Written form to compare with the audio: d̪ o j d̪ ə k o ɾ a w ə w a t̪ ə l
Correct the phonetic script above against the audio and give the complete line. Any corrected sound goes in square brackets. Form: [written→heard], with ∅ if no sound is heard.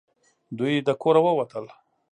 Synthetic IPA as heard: d̪ [o→u] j d̪ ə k o ɾ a w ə w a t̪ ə l